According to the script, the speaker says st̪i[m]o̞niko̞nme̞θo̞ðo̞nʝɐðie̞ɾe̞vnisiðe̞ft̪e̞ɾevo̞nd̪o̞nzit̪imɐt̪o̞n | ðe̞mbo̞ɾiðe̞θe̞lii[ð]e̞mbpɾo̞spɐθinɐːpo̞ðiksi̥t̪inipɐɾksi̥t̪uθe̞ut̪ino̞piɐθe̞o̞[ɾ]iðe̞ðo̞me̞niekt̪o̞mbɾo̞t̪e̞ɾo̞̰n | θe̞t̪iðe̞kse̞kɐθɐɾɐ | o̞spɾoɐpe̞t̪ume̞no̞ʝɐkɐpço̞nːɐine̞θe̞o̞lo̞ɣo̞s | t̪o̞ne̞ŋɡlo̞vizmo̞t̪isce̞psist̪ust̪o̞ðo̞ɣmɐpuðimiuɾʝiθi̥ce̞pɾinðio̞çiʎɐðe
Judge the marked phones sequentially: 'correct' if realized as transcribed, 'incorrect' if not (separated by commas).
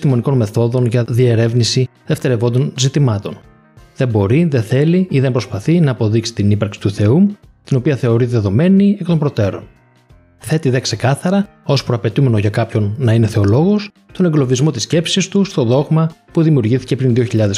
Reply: correct, correct, correct